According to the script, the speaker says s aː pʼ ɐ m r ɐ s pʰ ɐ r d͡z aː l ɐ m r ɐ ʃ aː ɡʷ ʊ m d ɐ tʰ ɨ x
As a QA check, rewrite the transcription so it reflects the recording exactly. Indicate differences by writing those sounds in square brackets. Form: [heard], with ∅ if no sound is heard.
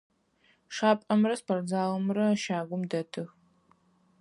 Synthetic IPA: [ʂ] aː pʼ ɐ m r ɐ s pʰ ɐ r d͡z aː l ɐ m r ɐ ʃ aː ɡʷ ʊ m d ɐ tʰ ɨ x